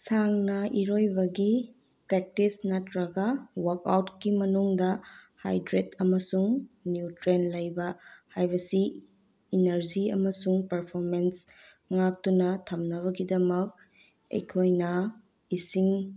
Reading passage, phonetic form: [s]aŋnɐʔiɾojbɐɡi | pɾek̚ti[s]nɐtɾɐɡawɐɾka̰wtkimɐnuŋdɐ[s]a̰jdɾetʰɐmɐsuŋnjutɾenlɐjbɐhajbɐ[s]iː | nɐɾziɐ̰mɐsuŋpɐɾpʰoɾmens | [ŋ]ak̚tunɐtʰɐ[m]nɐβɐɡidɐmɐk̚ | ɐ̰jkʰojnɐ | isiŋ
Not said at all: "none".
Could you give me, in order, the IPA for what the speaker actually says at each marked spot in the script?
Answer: s, s, h, s, ŋ, m

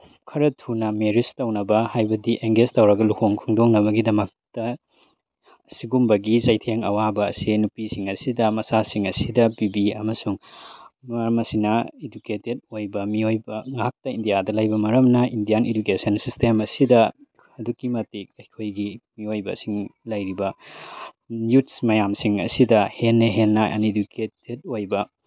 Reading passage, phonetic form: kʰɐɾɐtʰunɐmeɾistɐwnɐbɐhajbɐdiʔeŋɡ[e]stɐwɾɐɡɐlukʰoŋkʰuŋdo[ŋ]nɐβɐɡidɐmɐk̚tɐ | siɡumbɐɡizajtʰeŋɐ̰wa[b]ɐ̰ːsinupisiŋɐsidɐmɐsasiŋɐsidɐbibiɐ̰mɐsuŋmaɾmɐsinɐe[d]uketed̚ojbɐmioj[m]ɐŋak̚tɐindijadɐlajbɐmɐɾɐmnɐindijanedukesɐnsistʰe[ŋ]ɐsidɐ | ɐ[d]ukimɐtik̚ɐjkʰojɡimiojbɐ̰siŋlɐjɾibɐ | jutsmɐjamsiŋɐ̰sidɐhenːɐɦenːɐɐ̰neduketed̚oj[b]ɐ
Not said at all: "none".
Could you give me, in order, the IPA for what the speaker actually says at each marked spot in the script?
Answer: e, ŋ, b, d, b, m, d, b

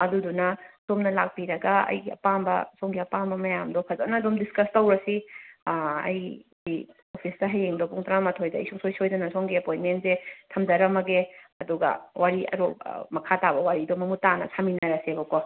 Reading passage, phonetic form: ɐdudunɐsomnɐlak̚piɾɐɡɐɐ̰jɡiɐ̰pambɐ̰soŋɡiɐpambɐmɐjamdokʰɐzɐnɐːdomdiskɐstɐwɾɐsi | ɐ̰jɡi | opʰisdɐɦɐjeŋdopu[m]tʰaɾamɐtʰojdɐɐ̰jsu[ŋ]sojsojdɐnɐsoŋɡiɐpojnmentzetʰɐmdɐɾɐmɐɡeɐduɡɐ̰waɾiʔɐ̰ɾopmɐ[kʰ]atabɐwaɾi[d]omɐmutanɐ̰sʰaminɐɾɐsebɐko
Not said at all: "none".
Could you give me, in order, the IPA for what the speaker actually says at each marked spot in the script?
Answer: ŋ, ŋ, kʰ, d

